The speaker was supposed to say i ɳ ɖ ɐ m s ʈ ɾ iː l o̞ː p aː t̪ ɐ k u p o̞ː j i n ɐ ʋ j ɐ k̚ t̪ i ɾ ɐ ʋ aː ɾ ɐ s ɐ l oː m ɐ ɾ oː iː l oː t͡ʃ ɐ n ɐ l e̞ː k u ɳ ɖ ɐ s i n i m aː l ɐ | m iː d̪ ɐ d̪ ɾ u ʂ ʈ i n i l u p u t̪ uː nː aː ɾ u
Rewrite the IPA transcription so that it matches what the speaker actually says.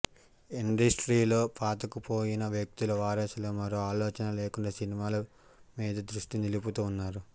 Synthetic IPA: i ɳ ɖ ɐ s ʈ ɾ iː l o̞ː p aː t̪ ɐ k u p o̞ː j i n ɐ ʋ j ɐ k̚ t̪ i l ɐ ʋ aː ɾ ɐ s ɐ l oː m ɐ ɾ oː aː l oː t͡ʃ ɐ n ɐ l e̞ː k u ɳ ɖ ɐ s i n i m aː l ɐ | m iː d̪ ɐ d̪ ɾ u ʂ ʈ i n i l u p u t̪ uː nː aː ɾ u

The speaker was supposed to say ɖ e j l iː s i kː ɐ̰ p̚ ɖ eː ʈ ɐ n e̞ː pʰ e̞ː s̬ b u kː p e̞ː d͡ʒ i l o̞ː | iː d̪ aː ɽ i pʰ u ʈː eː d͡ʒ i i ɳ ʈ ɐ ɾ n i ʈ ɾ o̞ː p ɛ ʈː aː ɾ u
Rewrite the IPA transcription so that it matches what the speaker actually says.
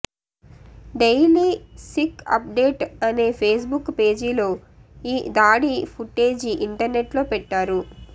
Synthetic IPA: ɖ e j l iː s i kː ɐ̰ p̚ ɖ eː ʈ ɐ n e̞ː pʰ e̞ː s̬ b u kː p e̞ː d͡ʒ i l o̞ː | iː d̪ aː ɽ i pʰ u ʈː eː d͡ʒ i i ɳ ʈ ɐ ɾ n e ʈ l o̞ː p ɛ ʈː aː ɾ u

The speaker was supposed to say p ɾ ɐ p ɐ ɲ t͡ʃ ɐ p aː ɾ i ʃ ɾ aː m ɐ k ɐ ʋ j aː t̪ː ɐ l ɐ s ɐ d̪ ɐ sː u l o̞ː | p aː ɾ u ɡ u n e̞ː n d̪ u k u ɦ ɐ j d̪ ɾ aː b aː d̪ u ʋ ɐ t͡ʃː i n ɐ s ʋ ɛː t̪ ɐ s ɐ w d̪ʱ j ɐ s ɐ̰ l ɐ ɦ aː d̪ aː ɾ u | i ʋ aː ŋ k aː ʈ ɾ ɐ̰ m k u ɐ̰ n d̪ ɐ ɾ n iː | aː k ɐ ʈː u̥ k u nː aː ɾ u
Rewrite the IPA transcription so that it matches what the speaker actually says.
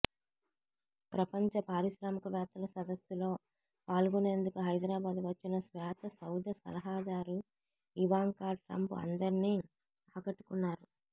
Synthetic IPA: p ɾ ɐ p ɐ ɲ t͡ʃ ɐ p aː ɾ i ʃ ɾ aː m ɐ k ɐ ʋ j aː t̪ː ɐ l ɐ s ɐ d̪ ɐ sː u l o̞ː | p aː l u ɡ u n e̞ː n d̪ u k u ɦ ɐ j d̪ ɾ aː b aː d̪ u ʋ ɐ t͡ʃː i n ɐ s ʋ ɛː t̪ ɐ s ɐ w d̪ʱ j ɐ s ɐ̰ l ɐ ɦ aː d̪ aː ɾ u | i ʋ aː ŋ k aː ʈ ɾ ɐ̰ m p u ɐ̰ n d̪ ɐ ɾ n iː | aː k ɐ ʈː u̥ k u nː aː ɾ u

